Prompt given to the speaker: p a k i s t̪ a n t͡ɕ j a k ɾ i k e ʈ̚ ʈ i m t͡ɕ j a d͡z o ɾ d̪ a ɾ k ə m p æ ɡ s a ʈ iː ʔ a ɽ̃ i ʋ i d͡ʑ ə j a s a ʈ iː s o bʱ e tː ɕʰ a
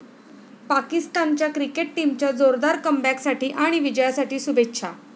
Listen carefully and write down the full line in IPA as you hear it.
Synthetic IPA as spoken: p a k i s t̪ a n t͡ɕ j a k ɾ i k e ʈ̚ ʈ i m t͡ɕ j a d͡z o ɾ d̪ a ɾ k ə m b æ k s a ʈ iː ʔ a ɽ̃ i ʋ i d͡ʑ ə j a s a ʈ iː s u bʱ e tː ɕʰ a